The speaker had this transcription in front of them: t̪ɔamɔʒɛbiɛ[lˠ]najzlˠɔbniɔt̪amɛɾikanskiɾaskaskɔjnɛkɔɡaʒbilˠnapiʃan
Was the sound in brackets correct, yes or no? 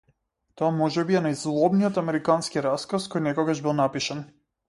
no